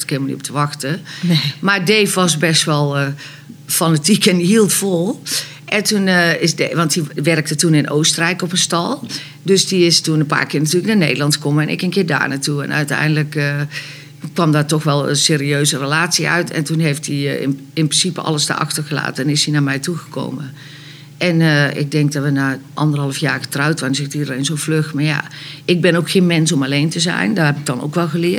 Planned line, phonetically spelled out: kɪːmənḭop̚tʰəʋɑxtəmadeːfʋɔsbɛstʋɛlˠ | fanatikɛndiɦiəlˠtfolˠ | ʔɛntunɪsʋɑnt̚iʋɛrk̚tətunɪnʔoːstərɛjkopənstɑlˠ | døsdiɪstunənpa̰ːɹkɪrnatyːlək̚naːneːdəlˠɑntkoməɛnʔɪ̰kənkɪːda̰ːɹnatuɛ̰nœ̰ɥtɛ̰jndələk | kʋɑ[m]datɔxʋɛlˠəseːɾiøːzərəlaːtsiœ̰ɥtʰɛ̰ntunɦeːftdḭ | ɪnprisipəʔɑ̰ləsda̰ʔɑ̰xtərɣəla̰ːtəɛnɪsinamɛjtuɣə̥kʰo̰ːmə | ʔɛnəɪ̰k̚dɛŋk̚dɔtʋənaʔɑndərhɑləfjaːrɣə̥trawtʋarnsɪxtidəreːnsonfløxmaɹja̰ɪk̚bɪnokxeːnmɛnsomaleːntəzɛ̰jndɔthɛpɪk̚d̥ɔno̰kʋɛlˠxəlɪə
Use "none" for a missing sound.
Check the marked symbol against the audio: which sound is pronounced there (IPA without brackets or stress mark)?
m